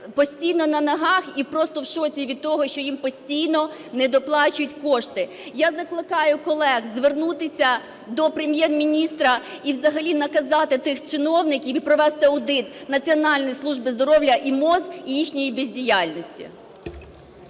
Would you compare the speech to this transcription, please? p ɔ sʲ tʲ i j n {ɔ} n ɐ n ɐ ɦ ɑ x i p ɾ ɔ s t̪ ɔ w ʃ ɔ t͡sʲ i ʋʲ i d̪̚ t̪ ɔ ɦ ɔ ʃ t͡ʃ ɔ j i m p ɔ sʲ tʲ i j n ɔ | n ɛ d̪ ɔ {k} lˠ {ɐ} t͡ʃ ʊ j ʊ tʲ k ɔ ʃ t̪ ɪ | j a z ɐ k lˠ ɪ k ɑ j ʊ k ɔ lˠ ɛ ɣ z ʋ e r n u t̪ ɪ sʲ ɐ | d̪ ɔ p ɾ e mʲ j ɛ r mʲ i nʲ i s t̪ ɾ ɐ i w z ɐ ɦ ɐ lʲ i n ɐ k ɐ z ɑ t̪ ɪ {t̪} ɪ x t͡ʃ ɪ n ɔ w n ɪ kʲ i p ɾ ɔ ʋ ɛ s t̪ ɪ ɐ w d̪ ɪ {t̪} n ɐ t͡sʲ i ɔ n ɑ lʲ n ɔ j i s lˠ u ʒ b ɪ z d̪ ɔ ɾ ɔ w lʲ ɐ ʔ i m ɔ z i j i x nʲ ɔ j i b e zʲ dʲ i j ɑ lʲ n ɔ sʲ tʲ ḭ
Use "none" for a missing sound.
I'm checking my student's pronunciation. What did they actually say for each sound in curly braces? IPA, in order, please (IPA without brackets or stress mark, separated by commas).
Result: ɔ, p, ɑ, t̪, t̪